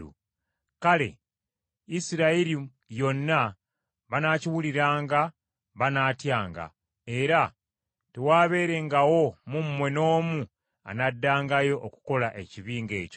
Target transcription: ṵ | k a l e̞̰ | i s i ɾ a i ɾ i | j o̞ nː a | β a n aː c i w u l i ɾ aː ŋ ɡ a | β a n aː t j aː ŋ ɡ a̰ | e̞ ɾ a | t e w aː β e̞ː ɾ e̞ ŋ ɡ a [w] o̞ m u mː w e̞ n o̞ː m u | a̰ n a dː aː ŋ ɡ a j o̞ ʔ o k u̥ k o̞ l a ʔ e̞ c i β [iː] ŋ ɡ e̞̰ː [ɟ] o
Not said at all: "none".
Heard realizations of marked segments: w, iː, c

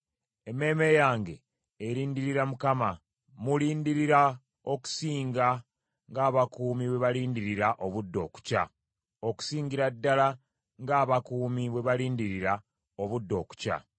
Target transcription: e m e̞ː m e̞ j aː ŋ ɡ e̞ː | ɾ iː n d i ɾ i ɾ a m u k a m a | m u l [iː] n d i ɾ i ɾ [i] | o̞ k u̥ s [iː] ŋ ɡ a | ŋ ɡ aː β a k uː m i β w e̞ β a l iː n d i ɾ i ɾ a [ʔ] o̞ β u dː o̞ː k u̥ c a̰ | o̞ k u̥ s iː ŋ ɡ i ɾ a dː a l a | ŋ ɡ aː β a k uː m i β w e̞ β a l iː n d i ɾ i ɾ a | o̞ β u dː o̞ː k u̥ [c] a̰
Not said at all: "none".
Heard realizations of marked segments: iː, a, iː, ʔ, c

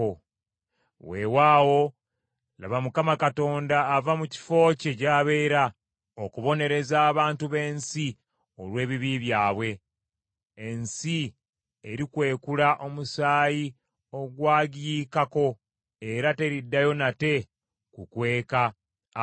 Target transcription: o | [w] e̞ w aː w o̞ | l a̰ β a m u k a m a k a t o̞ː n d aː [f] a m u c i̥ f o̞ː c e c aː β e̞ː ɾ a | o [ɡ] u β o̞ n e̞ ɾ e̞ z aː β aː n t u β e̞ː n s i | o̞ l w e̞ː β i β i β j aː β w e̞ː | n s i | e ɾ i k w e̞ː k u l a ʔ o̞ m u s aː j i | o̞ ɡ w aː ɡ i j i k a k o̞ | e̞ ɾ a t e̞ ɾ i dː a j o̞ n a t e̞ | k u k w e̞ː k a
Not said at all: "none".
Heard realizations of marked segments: w, v, k

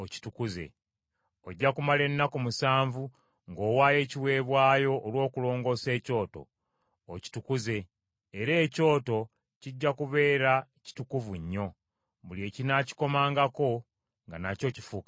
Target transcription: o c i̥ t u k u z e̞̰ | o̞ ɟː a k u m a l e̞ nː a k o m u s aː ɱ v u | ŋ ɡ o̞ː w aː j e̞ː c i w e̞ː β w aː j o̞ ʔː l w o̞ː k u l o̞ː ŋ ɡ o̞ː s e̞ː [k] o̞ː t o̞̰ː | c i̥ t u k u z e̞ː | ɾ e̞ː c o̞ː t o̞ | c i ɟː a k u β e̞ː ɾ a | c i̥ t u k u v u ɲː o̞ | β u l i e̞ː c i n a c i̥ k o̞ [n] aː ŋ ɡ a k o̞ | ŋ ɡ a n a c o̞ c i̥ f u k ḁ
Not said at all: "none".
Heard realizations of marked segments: c, m

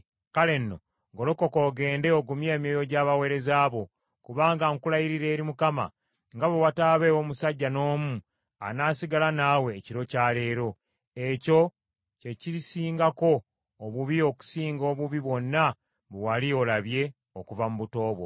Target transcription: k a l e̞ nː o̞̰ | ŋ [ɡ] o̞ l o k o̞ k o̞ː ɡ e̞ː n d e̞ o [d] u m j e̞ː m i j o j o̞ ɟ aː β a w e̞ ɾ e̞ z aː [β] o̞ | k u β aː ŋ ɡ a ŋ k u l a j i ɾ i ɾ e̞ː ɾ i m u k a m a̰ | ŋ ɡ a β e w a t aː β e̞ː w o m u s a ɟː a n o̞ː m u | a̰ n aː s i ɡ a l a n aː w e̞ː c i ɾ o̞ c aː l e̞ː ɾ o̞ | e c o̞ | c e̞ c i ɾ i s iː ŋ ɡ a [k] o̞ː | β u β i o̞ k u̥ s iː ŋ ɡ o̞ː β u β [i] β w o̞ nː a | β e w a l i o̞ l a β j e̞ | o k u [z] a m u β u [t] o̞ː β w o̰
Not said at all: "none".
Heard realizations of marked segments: ɡ, ɡ, β, k, i, v, t

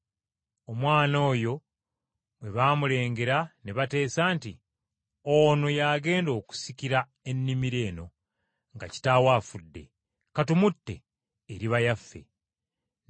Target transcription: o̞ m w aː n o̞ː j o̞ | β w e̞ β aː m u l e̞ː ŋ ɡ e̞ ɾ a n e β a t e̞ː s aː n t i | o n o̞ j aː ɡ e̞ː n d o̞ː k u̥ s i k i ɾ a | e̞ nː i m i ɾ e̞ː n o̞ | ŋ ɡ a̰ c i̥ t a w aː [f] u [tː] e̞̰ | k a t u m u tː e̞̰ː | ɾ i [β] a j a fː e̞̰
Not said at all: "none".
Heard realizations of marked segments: f, dː, β

